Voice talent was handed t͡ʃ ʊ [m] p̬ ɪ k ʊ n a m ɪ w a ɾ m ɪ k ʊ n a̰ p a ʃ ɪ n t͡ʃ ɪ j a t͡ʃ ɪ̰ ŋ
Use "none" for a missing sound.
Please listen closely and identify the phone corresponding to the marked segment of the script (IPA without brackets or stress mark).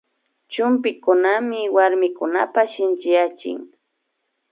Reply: m